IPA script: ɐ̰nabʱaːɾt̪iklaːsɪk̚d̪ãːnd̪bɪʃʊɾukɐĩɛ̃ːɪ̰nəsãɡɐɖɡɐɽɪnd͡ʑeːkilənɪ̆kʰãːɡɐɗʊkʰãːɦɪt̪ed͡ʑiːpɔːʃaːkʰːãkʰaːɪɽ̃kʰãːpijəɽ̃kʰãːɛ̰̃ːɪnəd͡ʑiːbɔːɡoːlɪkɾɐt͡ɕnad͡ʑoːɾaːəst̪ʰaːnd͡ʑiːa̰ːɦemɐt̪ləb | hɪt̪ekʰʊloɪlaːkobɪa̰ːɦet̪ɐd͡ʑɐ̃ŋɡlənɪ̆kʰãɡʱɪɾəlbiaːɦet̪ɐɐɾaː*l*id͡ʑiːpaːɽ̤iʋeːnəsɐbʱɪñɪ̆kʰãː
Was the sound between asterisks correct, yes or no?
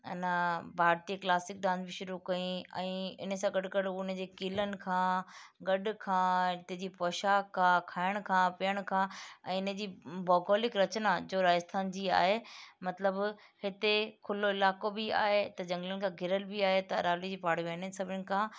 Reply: yes